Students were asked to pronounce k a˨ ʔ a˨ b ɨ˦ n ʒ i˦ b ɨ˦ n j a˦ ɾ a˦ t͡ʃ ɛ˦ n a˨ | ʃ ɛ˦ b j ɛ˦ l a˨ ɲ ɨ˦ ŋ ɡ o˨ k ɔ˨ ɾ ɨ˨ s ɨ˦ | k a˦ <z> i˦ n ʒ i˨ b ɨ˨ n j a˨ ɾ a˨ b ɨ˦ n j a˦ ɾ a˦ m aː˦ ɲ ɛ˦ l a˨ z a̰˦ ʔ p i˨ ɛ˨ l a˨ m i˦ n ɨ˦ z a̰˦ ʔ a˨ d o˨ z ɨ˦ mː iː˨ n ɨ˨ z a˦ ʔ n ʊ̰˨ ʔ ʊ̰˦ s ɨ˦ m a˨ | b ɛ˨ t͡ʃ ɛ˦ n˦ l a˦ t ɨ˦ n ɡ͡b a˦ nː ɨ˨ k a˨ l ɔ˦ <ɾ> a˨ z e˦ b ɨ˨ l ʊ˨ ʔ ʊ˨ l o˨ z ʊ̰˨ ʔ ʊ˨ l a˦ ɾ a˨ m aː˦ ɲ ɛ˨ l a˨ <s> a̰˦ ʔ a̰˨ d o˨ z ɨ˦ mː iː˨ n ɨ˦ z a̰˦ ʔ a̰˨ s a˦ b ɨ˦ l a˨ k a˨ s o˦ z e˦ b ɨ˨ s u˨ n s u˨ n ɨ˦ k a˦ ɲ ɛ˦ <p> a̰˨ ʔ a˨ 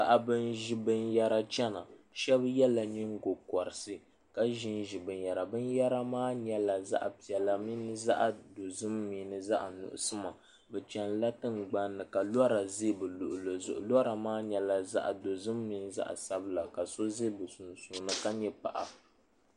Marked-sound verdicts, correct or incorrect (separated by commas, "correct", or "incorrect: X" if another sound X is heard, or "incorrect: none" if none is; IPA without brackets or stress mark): incorrect: ʒ, correct, incorrect: z, correct